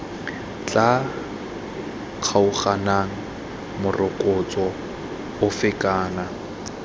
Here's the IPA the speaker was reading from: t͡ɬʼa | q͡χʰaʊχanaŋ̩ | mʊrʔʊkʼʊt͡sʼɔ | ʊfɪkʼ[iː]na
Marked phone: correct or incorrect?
incorrect